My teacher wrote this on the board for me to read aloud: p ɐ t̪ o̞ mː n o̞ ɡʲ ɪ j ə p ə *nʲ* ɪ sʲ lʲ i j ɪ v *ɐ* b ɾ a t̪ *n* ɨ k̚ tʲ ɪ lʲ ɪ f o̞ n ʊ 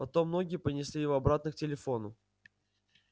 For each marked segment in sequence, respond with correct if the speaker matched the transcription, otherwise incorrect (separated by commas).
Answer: correct, correct, correct